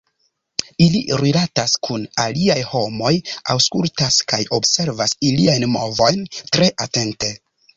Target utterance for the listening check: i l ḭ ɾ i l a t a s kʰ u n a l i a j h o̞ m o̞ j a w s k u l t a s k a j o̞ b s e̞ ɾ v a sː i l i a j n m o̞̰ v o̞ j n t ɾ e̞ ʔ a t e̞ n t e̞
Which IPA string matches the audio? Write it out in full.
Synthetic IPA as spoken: i l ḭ ɾ i l a t a s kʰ u n a l i a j h o̞ m o̞ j a w s k u l t a s k a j o̞ b s e̞ ɾ v a s i l i a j n m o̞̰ v o̞ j n t ɾ e̞ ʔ a t e̞ n t e̞